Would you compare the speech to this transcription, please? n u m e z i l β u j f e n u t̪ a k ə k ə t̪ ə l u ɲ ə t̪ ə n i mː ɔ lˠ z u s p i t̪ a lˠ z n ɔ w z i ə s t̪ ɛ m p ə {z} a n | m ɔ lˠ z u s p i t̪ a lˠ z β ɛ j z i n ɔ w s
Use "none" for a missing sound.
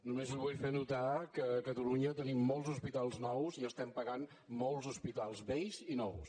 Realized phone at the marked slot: ɣ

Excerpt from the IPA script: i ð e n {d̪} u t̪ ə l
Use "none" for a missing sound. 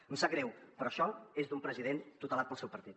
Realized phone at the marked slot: t̪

